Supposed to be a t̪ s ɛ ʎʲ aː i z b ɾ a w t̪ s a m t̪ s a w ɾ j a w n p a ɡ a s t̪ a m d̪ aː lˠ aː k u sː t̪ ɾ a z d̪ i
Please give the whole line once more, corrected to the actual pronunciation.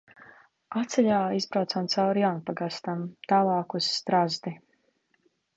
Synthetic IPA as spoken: a t̪ s ɛ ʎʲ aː i z b ɾ a w t̪ s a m t̪ s a w ɾ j a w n p a ɡ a s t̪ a m t̪ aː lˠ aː k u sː t̪ ɾ a z d̪ i